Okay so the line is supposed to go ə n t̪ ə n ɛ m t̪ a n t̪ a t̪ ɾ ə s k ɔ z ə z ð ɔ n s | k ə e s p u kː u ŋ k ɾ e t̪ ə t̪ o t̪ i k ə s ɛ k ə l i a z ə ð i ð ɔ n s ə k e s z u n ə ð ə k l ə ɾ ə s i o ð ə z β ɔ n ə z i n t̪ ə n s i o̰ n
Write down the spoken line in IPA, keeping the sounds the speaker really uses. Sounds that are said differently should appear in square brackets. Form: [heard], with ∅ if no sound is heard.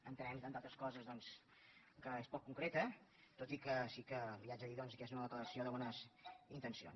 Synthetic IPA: ə n t̪ ə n ɛ m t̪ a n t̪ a t̪ ɾ ə s k ɔ z ə z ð ɔ n s | k ə e s p [ɔ] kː u ŋ k ɾ e t̪ ə t̪ o t̪ i k ə s [i] k ə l i a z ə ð i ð ɔ n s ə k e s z u n ə ð ə k l ə ɾ ə s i o ð ə [∅] β ɔ n ə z i n t̪ ə n s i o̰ n

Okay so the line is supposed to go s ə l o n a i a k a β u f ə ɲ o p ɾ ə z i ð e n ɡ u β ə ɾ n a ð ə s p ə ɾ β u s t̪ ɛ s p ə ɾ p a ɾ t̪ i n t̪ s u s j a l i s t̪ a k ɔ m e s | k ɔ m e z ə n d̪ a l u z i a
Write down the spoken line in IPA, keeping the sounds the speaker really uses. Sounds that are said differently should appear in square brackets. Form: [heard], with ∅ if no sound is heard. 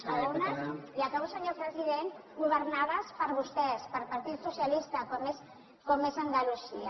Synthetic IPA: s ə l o n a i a k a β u [s] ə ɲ o p ɾ ə z i ð e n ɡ u β ə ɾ n a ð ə s p ə ɾ β u s t̪ ɛ s p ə ɾ p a ɾ t̪ i [∅] t̪ s u s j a l i s t̪ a k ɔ m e s | k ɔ m e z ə n d̪ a l u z i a

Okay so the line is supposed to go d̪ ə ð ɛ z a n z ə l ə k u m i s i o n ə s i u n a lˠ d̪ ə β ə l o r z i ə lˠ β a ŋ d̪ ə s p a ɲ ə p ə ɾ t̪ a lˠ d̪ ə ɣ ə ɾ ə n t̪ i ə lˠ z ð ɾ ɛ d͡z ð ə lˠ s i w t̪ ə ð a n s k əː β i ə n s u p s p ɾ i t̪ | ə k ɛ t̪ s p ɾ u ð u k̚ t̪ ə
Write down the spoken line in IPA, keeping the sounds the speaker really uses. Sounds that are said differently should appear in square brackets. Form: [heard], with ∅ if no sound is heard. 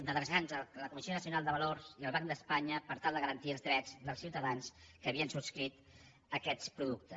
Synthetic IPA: d̪ ə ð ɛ z a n z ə l ə k u m i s i o n ə s i u n a lˠ d̪ ə β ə l o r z i ə lˠ β a ŋ d̪ ə s p a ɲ ə p ə ɾ t̪ a lˠ d̪ ə ɣ ə ɾ ə n t̪ i ə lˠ z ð ɾ ɛ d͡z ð ə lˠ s i w t̪ ə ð a n s k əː β i ə n s u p s [k] ɾ i t̪ | ə k ɛ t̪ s p ɾ u ð u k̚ t̪ ə

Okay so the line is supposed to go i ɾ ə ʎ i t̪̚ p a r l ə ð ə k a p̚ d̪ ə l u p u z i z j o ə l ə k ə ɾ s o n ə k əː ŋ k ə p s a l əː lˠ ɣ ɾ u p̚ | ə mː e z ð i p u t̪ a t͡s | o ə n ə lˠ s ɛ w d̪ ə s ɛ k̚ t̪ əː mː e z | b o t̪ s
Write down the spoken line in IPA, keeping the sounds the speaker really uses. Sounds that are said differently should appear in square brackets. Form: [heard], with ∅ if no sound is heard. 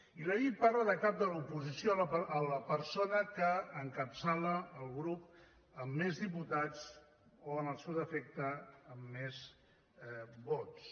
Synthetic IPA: i [l] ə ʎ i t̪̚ p a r l ə ð ə k a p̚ d̪ ə l u p u z i [s] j o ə l ə [p] ə ɾ s o n ə k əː ŋ k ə p s a l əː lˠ ɣ ɾ u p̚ | ə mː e z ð i p u t̪ a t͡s | o ə n ə lˠ s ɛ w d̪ ə [f] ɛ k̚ t̪ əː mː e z | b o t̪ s

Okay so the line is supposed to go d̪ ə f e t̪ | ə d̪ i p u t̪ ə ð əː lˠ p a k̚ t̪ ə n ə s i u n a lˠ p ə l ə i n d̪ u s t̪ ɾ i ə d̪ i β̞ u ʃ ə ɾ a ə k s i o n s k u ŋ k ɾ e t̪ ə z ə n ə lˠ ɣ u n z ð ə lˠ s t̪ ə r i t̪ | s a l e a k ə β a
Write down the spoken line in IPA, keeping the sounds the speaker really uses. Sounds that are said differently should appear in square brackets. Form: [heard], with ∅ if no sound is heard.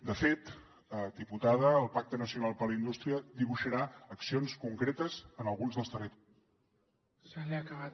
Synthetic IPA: d̪ ə f e t̪ | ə d̪ i p u t̪ [a] ð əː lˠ p a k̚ t̪ ə n ə s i u n a lˠ p ə l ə i n d̪ u s t̪ ɾ i ə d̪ i β̞ u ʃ ə ɾ a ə k s i o n s k u ŋ k ɾ e t̪ ə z ə n ə lˠ ɣ u n z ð ə lˠ s t̪ ə r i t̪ | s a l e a k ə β a

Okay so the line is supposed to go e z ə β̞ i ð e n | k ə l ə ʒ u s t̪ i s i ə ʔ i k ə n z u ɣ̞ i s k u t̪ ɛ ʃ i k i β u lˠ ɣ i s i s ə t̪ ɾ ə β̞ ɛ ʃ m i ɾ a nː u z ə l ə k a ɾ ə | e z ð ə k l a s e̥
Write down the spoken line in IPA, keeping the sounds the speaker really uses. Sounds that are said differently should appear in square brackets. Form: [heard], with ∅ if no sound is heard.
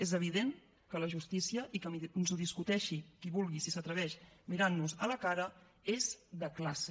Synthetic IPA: e z ə β̞ i ð e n | k ə l ə ʒ u s t̪ i s i ə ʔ i k ə n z u [ð̞] i s k u t̪ ɛ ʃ i k i β u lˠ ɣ i s i s ə t̪ ɾ ə β̞ ɛ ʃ m i ɾ a nː u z ə l ə k a ɾ ə | e z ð ə k l a s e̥

